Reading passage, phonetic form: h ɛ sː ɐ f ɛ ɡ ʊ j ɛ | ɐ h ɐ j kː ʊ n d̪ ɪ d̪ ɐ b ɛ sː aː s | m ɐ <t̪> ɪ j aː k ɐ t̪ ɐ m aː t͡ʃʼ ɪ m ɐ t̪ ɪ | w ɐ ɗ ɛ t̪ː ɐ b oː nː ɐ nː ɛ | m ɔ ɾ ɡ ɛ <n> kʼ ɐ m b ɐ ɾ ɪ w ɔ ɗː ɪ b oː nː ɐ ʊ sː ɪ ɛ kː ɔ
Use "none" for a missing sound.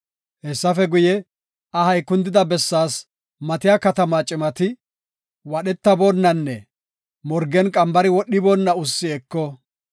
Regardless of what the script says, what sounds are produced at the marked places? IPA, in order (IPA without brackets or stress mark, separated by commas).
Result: t̪, n